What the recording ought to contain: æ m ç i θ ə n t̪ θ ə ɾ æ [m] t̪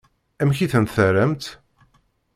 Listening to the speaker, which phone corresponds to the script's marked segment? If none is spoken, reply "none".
m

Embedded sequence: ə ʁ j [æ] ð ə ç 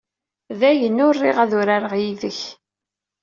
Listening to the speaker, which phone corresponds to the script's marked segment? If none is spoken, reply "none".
i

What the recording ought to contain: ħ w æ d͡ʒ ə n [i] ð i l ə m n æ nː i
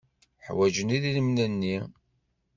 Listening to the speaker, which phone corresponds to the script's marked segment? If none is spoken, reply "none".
i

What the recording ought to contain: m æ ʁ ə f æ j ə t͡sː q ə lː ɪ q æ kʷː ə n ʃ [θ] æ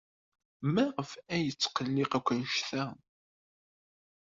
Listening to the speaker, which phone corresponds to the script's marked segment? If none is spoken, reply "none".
θ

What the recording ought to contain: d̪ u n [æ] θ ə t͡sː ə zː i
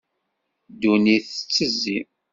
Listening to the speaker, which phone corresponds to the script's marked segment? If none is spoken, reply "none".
i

